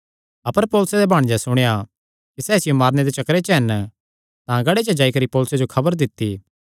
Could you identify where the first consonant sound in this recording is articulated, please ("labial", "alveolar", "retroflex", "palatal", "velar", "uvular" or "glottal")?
labial